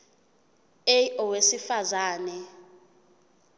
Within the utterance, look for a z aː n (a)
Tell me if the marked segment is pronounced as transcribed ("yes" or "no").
no